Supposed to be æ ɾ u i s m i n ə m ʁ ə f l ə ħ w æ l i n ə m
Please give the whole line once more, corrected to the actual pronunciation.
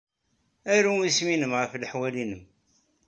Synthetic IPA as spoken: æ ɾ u i s m i n ə m ʁ ə f l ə ħ w æ l i n ə m